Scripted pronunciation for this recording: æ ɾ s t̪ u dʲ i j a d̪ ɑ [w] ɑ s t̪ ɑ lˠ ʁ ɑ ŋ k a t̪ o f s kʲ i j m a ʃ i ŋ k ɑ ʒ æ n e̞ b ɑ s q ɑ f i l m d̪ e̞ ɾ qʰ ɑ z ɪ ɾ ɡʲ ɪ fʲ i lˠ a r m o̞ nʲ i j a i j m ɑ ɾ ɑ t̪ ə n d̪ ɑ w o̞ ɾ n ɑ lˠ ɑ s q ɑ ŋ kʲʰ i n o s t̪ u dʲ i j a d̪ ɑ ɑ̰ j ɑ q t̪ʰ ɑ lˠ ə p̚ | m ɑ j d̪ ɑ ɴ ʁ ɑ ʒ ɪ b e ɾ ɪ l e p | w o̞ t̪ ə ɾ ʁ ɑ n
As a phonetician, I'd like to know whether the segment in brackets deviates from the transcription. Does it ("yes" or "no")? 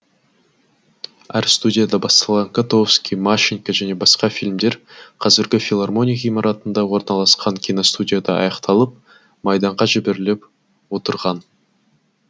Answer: yes